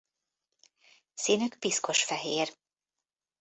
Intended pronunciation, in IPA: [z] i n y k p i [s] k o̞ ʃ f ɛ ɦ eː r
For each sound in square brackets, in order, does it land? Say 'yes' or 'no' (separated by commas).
no, yes